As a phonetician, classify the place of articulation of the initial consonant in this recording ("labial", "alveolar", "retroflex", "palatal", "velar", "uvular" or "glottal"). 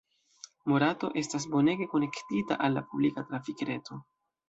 labial